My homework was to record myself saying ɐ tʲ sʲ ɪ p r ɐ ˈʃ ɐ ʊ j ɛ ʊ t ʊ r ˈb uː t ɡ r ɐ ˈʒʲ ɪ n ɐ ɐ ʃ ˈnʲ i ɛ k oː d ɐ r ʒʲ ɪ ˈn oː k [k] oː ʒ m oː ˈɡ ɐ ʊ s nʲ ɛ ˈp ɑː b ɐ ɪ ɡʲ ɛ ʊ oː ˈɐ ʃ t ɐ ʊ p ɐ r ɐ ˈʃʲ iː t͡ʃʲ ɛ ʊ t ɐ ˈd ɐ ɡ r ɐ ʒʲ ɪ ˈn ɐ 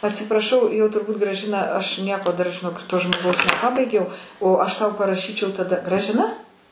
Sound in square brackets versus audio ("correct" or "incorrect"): incorrect